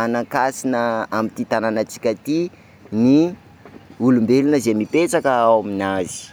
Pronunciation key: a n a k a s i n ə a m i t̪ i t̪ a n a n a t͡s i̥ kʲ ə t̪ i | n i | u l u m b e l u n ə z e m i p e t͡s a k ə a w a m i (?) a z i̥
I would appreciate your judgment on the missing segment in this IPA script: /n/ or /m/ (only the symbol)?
n